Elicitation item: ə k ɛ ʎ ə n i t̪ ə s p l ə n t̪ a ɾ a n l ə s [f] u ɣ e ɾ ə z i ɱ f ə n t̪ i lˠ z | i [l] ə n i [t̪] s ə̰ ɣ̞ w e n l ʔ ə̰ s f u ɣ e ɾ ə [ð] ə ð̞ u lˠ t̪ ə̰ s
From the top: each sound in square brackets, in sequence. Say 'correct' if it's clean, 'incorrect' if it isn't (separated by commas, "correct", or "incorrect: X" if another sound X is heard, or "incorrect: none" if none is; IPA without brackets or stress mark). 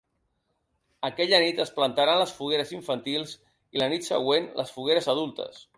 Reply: correct, correct, correct, incorrect: z